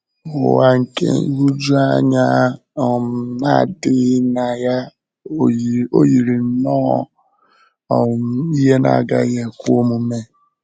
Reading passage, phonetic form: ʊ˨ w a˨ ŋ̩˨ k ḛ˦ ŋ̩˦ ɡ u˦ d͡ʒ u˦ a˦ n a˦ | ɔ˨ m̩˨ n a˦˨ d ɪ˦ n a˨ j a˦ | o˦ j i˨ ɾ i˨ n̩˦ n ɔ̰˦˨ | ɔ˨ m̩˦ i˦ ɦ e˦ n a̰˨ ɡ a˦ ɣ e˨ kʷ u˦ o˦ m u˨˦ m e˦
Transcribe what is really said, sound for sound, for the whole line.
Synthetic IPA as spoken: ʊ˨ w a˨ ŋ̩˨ k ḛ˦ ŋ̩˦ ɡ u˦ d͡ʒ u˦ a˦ ɲ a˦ | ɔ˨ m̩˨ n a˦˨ d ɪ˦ n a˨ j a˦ | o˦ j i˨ ɾ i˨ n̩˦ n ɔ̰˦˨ | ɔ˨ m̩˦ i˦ ɦ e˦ n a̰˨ ɡ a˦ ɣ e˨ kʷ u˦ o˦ m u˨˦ m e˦